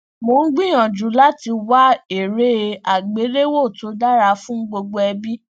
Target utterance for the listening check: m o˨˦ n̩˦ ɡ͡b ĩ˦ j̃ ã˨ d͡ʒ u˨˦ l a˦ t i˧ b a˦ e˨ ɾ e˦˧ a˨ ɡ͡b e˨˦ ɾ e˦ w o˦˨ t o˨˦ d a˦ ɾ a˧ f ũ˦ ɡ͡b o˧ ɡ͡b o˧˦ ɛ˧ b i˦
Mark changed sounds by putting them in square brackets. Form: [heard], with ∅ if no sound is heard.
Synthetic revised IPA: m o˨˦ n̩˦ ɡ͡b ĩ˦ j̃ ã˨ d͡ʒ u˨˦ l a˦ t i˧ [w] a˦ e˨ ɾ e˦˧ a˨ ɡ͡b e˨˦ ɾ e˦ w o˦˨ t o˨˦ d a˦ ɾ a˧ f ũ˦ ɡ͡b o˧ ɡ͡b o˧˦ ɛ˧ b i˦